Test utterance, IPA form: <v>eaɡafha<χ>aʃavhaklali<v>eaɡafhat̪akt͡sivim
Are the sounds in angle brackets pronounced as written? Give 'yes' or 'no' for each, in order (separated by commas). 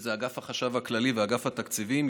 no, yes, yes